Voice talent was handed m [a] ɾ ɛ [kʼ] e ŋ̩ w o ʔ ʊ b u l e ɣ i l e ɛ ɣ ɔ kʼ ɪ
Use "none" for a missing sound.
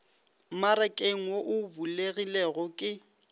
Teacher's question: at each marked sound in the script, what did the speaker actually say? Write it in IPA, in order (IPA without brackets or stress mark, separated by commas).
a, kʼ